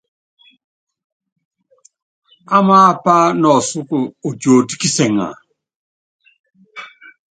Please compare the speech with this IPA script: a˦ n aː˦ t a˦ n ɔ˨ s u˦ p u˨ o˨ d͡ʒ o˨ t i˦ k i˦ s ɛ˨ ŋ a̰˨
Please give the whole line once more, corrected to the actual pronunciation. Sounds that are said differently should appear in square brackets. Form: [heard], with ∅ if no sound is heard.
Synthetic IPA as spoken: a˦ [m] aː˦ [p] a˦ n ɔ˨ s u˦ [k] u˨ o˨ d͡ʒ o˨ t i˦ k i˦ s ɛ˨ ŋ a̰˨